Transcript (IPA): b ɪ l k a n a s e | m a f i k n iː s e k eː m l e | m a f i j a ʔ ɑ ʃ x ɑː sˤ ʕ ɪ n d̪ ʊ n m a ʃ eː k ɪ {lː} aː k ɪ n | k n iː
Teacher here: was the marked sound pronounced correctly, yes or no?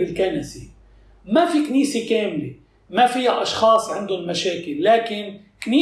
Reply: yes